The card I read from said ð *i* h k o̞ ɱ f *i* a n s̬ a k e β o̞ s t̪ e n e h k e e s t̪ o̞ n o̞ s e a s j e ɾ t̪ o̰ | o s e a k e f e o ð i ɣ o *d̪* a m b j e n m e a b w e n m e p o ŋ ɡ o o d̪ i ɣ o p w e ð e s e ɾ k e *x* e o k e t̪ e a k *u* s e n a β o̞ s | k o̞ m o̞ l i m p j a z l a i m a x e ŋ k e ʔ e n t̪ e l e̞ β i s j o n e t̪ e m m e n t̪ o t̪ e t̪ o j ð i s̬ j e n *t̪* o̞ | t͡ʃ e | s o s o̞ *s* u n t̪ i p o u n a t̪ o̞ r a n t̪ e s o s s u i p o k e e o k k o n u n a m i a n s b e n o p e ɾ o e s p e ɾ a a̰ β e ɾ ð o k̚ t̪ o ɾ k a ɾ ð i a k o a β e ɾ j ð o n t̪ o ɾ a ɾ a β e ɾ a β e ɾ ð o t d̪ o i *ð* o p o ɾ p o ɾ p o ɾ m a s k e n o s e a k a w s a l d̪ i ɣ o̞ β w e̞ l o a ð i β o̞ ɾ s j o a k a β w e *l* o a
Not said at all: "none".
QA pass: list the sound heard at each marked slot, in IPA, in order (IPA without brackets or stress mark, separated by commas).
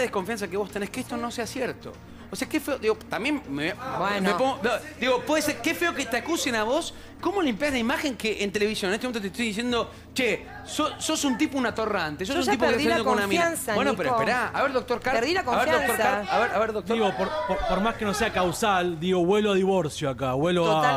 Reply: e, j, t̪, f, u, d̪, s, ɣ, l